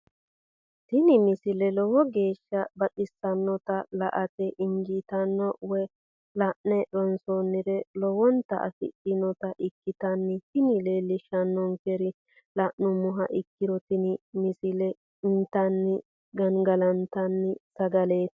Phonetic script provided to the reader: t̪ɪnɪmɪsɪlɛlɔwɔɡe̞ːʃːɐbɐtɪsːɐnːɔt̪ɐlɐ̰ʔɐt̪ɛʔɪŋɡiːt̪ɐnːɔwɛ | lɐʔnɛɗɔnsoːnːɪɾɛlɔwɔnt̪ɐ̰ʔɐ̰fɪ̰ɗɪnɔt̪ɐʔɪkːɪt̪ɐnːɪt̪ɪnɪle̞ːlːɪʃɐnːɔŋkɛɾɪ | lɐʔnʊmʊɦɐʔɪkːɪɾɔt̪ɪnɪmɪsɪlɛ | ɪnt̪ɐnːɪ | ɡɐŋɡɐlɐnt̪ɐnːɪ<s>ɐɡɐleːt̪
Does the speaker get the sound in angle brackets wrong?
no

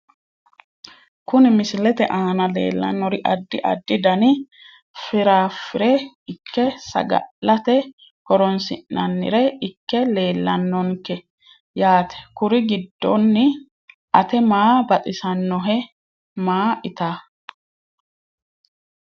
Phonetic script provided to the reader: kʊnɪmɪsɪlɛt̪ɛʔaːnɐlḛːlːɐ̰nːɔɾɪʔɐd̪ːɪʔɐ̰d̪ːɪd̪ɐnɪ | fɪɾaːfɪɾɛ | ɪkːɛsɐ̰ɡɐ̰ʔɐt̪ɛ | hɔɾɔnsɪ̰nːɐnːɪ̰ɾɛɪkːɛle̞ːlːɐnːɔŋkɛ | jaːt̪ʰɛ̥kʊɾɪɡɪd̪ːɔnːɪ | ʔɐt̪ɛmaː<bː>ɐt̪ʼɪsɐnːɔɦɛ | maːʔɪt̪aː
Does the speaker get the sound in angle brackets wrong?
yes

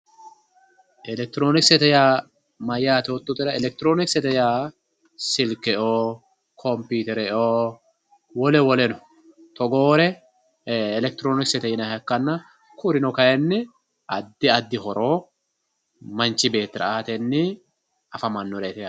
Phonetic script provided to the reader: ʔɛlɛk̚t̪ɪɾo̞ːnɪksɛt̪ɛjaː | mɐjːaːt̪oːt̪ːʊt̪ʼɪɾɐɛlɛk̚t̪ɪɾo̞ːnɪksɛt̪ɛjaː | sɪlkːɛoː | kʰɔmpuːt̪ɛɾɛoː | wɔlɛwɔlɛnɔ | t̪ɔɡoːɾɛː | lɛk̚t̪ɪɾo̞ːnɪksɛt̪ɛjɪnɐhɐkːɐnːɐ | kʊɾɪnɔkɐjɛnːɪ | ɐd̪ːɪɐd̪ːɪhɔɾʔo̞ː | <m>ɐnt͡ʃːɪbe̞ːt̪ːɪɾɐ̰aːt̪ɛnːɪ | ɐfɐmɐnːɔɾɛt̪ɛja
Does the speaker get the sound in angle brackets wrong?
no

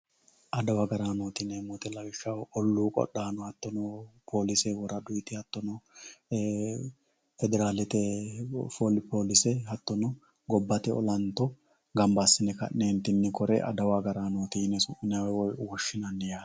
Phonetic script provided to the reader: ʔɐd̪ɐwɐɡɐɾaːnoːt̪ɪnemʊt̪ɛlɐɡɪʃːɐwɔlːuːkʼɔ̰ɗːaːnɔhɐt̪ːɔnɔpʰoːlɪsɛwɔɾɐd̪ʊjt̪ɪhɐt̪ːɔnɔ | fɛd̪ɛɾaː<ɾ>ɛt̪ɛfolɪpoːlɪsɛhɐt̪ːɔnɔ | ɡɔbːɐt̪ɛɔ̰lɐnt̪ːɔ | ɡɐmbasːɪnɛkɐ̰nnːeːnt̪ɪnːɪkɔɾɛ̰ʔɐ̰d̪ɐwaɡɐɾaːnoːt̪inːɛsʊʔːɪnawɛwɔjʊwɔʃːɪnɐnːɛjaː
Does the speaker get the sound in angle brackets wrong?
yes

